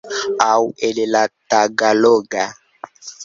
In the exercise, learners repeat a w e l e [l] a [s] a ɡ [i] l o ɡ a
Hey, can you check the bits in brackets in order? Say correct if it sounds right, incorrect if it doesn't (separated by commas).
correct, incorrect, incorrect